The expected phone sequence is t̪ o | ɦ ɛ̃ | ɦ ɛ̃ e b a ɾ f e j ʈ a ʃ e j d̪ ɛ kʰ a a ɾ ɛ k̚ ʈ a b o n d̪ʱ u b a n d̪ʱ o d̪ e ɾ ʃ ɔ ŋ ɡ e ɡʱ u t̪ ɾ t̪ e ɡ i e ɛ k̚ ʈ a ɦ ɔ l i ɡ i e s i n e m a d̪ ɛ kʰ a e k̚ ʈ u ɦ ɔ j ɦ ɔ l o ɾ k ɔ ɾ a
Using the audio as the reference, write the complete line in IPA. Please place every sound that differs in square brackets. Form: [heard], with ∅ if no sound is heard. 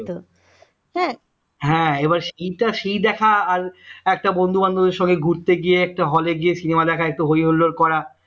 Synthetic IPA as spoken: t̪ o | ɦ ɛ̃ | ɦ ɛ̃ e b a ɾ [ʃ] e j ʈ a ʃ e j d̪ ɛ kʰ a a ɾ ɛ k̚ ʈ a b o n d̪ʱ u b a n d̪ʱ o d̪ e ɾ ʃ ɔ ŋ ɡ e ɡʱ u [∅] ɾ t̪ e ɡ i e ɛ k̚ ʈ a ɦ ɔ l [e] ɡ i e s i n e m a d̪ ɛ kʰ a e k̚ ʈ u ɦ [o] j ɦ [o] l o ɾ k ɔ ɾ a